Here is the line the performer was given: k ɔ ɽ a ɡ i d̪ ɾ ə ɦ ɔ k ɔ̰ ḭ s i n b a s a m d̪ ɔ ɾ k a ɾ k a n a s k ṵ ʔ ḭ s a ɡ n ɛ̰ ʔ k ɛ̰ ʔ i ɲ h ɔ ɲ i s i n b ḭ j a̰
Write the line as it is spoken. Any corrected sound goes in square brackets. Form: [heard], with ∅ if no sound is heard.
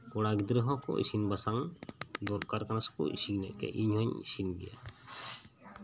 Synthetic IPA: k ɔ ɽ a ɡ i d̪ ɾ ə ɦ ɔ k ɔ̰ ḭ s i n b a s a [ŋ] d̪ ɔ ɾ k a ɾ k a n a s k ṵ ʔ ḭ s [i] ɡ n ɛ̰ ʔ k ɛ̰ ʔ i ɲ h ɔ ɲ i s i n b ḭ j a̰